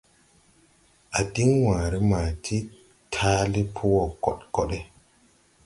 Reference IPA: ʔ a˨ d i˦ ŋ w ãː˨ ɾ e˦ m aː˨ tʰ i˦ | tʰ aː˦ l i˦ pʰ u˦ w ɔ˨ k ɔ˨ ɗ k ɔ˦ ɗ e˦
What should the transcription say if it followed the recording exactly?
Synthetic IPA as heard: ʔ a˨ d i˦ ŋ w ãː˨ ɾ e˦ m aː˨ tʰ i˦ | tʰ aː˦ l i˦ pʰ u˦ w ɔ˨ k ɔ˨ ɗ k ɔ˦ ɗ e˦